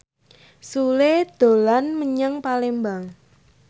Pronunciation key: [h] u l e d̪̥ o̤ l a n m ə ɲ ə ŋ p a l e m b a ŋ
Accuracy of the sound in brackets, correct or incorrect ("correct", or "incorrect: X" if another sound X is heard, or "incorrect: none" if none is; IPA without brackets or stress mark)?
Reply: incorrect: s